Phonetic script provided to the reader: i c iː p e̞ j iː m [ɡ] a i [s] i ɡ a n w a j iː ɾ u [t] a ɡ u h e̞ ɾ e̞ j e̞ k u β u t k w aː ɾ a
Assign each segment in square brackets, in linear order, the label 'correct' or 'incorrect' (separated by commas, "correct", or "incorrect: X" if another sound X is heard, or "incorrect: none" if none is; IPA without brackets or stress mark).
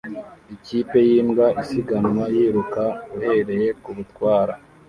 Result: correct, correct, incorrect: k